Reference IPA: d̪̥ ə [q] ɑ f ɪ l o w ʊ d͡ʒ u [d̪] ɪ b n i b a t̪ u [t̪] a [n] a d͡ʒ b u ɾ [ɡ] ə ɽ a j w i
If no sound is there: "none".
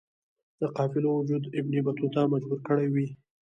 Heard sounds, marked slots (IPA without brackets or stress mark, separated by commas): q, d̪, t̪, m, k